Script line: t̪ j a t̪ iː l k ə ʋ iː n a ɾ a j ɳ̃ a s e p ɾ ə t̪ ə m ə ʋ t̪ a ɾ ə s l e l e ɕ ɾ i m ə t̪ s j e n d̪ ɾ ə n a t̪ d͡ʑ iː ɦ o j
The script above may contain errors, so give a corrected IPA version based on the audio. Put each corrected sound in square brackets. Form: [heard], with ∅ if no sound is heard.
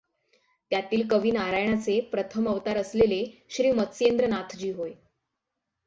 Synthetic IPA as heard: t̪ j a t̪ iː l k ə ʋ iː n a ɾ a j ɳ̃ a [t͡s] e p ɾ ə [t̪ʰ] ə m ə ʋ t̪ a ɾ ə s l e l e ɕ ɾ [iː] m ə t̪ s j e n d̪ ɾ ə n a [t̪ʰ] d͡ʑ iː ɦ o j